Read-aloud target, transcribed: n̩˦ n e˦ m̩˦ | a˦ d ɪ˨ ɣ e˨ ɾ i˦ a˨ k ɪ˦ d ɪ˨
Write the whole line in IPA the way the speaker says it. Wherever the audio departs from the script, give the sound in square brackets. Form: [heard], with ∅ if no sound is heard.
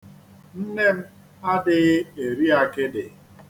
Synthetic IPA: n̩˦ n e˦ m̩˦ | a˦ d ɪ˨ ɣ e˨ ɾ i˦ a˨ k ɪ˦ d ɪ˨